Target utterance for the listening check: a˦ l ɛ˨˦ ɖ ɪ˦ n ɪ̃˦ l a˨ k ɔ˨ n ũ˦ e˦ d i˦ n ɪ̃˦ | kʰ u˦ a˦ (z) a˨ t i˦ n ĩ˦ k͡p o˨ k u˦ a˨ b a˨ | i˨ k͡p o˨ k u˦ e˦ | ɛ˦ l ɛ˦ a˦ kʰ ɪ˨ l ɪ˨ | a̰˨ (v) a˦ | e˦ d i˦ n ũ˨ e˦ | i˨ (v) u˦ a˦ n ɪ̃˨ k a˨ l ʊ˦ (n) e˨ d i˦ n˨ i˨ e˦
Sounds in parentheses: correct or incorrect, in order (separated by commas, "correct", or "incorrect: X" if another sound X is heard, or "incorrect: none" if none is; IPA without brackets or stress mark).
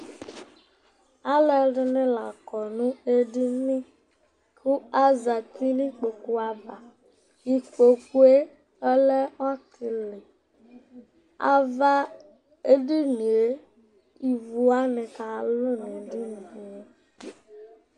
correct, correct, correct, correct